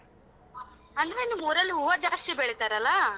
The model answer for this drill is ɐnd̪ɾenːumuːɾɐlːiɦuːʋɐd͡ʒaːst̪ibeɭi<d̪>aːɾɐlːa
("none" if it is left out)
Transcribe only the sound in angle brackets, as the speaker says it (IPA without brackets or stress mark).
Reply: t̪